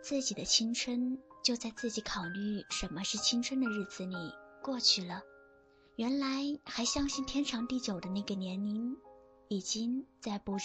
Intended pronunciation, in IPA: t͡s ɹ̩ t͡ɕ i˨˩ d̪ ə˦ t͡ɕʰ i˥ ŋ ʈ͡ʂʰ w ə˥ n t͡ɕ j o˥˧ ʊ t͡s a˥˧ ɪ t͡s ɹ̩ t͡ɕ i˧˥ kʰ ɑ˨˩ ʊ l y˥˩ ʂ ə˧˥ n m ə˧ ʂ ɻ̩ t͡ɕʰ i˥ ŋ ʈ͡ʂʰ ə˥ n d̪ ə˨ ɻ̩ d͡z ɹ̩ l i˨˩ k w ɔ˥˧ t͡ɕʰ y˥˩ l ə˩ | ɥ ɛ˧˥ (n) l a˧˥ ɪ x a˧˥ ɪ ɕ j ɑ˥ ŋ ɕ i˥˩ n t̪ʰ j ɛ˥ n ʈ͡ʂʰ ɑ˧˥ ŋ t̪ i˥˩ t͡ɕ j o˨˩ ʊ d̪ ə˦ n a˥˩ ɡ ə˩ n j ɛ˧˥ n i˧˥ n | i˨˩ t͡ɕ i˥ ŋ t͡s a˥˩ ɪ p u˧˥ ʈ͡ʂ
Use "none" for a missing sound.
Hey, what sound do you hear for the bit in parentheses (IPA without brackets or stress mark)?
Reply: n